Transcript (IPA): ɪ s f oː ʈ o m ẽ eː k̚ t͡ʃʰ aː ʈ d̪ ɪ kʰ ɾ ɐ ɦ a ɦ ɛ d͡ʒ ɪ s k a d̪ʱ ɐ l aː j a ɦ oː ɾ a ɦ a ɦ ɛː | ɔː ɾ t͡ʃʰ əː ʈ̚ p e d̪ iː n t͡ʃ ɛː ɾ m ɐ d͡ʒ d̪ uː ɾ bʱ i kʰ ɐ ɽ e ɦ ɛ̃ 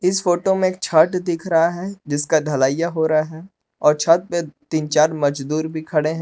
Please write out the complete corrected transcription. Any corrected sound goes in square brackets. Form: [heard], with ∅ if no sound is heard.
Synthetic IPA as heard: ɪ s f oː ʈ o m ẽ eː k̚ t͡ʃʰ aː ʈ d̪ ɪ kʰ ɾ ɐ ɦ a ɦ ɛ d͡ʒ ɪ s k a d̪ʱ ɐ l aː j a ɦ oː ɾ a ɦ a ɦ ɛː | ɔː ɾ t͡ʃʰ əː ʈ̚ p e [t̪] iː n t͡ʃ [aː] ɾ m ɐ d͡ʒ d̪ uː ɾ bʱ i kʰ ɐ ɽ e ɦ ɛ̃